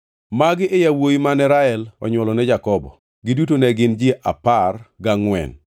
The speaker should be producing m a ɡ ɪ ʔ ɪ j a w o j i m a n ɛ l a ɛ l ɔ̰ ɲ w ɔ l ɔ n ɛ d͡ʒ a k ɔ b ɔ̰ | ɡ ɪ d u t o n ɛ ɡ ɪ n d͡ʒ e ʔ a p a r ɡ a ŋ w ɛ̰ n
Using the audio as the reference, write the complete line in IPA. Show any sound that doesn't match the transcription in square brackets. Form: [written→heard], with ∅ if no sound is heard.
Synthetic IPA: m a ɡ ɪ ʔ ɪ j a w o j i m a n ɛ [l→ɾ] a ɛ l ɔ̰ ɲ w ɔ l ɔ n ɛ d͡ʒ a k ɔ b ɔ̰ | ɡ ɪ d u t o n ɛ ɡ ɪ n d͡ʒ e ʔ a p a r ɡ a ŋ w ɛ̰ n